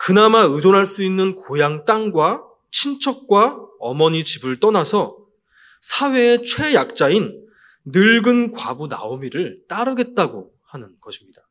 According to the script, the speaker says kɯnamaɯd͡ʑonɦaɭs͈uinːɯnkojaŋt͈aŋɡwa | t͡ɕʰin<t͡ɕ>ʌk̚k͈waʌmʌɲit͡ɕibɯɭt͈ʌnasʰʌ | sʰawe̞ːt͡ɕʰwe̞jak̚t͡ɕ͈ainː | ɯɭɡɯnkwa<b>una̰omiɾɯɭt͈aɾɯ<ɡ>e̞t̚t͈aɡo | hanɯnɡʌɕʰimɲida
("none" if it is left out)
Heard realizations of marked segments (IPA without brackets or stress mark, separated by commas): t͡ɕʰ, b, ɡ